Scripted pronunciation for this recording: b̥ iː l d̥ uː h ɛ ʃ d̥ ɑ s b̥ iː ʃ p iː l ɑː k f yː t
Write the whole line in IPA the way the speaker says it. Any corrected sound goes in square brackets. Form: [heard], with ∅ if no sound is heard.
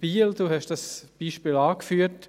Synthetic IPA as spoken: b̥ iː l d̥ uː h ɛ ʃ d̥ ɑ s b̥ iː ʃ p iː l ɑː k f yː t